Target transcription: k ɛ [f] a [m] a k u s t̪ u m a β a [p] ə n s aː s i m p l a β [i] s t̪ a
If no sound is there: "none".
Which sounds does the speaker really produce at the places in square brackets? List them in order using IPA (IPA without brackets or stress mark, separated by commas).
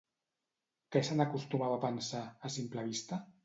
s, n, p, i